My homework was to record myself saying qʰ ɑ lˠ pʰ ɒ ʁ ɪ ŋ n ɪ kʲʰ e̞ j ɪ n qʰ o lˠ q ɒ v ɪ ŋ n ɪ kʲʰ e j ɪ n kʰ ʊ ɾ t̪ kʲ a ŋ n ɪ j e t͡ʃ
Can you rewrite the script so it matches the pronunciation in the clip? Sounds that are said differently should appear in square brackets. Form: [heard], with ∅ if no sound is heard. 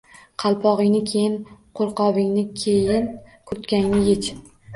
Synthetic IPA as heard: qʰ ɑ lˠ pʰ ɒ ʁ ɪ ŋ n ɪ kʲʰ e̞ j ɪ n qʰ o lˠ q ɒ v ɪ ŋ n ɪ kʲʰ e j ɪ n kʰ ʊ ɾ t̪ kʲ a ŋ n ɪ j e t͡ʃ